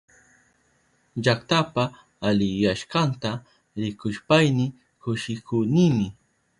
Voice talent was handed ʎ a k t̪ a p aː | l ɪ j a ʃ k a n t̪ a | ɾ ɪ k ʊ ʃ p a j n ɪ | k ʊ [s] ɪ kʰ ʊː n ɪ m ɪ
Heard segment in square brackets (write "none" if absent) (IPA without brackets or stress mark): ʃ